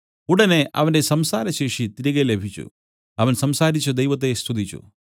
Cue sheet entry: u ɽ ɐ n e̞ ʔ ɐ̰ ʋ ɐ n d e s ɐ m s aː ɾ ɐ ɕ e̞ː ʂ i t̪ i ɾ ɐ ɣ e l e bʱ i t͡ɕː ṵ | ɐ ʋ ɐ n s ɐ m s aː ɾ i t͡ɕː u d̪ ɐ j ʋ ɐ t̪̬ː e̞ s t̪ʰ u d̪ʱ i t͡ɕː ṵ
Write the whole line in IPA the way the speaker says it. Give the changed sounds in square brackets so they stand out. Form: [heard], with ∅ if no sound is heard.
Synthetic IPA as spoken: u ɽ ɐ n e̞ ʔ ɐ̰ ʋ ɐ n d e s ɐ m s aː ɾ ɐ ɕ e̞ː ʂ i t̪ i ɾ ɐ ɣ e l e bʱ i t͡ɕː ṵ | ɐ ʋ ɐ n s ɐ m s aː ɾ i t͡ɕː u d̪ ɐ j ʋ ɐ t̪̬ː e̞ s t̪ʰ u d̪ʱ i t͡ɕː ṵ